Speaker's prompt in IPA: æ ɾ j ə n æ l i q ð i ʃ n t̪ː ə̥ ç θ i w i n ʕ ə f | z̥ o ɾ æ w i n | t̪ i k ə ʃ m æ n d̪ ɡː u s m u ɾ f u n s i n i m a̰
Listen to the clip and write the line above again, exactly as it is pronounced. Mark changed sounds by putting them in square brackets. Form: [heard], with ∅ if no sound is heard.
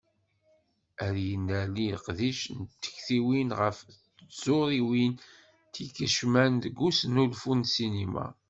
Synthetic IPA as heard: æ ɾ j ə n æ l i q ð i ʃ n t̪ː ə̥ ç θ i w i n [ʁ] ə f | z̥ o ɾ [i] w i n | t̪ i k ə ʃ m æ n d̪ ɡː u s [n] u [l] f u n s i n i m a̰